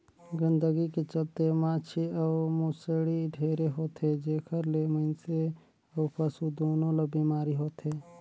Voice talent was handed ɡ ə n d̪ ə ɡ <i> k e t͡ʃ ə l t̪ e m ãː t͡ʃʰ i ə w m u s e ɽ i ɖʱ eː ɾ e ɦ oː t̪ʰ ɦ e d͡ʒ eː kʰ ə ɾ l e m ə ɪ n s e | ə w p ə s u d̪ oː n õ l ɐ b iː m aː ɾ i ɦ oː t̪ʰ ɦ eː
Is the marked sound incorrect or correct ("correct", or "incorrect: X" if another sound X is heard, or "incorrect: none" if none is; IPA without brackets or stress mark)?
correct